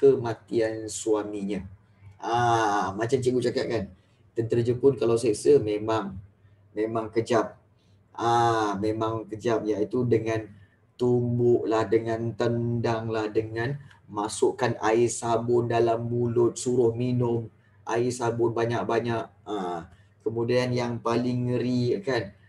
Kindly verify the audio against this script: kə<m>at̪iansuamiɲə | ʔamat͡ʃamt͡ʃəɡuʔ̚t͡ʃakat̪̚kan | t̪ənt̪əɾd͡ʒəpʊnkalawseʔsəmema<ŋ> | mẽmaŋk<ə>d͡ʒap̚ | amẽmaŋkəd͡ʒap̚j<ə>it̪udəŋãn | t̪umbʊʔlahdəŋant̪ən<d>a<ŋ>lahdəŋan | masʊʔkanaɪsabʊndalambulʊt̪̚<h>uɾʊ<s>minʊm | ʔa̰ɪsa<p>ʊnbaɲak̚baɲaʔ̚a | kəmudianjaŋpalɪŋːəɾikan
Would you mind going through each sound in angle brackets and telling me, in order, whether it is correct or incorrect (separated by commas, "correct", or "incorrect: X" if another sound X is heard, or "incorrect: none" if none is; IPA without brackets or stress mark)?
correct, correct, correct, incorrect: a, correct, correct, incorrect: s, incorrect: h, incorrect: b